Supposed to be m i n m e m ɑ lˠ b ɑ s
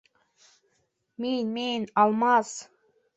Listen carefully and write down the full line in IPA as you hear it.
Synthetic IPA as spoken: m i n m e n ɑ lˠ m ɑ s